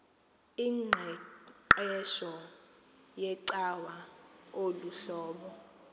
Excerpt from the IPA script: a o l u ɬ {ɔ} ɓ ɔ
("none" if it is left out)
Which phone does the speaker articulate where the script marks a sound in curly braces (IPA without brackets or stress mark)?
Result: ɔː